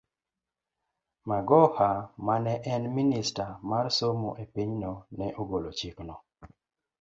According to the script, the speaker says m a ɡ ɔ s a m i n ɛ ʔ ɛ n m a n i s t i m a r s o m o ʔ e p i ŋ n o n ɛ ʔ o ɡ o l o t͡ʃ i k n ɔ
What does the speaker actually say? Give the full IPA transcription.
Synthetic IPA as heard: m a ɡ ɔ h a m a n ɛ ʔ ɛ n m i n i s t a m a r s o m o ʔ e p i ɲ n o n ɛ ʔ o ɡ o l o t͡ʃ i k n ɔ

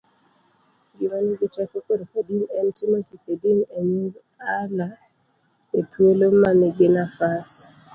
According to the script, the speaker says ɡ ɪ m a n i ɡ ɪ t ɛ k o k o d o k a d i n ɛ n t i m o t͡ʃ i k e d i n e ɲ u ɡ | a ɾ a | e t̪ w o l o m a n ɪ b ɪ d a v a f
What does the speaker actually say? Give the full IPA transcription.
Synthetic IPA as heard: ɡ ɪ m a n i ɡ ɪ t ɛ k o k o d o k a d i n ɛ n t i m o t͡ʃ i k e d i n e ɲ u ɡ | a l a | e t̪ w o l o m a n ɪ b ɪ n a f a s

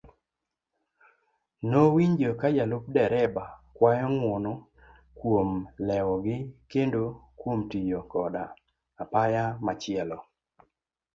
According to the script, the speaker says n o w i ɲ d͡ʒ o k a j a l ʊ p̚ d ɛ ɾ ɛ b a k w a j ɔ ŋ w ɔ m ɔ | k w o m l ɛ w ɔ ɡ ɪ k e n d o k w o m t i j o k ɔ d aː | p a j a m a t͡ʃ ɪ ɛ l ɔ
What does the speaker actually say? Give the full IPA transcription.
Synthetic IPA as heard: n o w i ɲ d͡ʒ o k a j a l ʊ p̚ d ɛ ɾ ɛ b a k w a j ɔ ŋ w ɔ n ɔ | k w o m l ɛ w ɔ ɡ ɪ k e n d o k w o m t i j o k ɔ d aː | p a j a m a t͡ʃ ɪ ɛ l ɔ

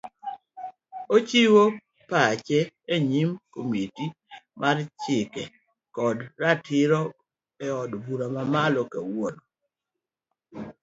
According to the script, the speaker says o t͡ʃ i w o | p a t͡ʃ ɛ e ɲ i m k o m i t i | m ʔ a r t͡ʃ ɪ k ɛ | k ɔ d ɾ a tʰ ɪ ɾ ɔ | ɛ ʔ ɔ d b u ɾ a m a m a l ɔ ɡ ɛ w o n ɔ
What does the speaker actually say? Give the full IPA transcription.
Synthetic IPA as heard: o t͡ʃ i w o | p a t͡ʃ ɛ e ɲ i m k o m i t i | m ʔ a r t͡ʃ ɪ k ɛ | k ɔ d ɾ a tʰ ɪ ɾ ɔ | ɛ ɔ d b u ɾ a m a m a l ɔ k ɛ w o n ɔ

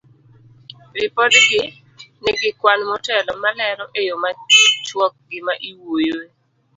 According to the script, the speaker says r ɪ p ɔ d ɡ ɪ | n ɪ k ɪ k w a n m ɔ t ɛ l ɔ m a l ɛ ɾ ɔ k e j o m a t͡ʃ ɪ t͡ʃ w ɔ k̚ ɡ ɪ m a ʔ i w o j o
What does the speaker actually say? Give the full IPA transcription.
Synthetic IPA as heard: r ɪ p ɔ d ɡ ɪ | n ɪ ɡ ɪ k w a n m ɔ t ɛ l ɔ m a l ɛ ɾ ɔ ʔ e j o m a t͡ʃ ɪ t͡ʃ w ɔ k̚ ɡ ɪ m a ʔ i w o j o

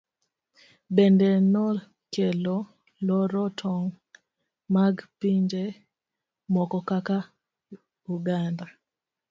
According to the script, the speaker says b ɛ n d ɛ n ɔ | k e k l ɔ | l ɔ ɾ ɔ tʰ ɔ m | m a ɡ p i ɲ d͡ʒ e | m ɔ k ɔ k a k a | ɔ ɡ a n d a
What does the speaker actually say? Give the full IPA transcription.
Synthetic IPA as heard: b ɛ n d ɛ n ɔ | k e l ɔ | l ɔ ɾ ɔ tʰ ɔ ŋ | m a ɡ p i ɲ d͡ʒ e | m ɔ k ɔ k a k a | u ɡ a n d a

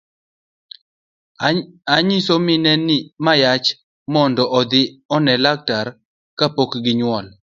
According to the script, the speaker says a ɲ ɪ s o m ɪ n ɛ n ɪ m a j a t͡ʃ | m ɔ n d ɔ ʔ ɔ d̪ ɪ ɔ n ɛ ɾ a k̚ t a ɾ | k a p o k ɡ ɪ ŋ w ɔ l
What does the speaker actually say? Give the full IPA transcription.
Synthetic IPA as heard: a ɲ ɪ s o m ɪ n ɛ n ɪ m a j a t͡ʃ | m ɔ n d ɔ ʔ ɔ d̪ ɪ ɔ n ɛ l a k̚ t a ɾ | k a p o k ɡ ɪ ɲ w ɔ l

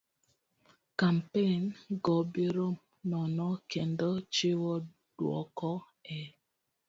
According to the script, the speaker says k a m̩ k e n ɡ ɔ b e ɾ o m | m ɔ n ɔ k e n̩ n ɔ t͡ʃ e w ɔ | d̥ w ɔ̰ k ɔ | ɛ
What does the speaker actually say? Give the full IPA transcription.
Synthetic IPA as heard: k a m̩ p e n ɡ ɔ b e ɾ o m | n ɔ n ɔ k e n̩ d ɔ t͡ʃ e w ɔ | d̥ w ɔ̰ k ɔ | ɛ

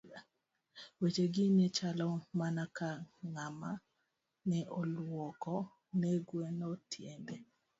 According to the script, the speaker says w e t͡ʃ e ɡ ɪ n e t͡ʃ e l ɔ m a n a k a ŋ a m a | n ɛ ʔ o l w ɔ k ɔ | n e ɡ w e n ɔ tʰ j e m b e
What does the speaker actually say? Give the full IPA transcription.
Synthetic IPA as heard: w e t͡ʃ e ɡ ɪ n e t͡ʃ a l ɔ m a n a k a ŋ a m a | n ɛ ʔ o l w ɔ k ɔ | n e ɡ w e n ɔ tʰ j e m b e

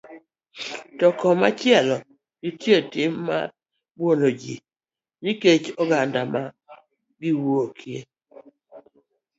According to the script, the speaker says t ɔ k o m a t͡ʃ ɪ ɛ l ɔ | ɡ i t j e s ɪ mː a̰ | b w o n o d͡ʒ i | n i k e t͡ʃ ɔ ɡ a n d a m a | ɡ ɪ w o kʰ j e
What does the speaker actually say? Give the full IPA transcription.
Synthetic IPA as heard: t ɔ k ɔ m a t͡ʃ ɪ ɛ l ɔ | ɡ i t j e t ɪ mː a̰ | b w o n o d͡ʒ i | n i k e t͡ʃ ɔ ɡ a n d a m a | ɡ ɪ w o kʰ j e

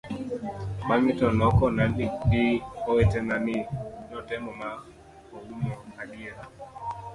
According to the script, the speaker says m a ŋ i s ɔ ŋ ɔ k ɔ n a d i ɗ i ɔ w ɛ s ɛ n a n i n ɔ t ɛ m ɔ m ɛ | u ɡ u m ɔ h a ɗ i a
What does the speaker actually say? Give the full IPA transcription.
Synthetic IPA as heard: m a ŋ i t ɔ n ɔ k ɔ n a n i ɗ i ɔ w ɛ t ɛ n a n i n ɔ t ɛ m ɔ m a | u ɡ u m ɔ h a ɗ i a

